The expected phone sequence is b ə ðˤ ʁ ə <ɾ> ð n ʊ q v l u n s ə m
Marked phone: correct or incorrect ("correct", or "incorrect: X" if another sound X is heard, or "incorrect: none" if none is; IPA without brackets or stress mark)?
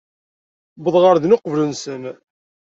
correct